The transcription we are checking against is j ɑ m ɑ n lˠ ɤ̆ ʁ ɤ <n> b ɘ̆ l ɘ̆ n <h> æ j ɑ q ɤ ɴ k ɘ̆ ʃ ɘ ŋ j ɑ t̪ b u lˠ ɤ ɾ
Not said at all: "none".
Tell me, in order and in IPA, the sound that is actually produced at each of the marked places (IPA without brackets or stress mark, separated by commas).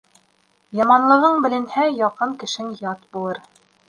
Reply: ɴ, h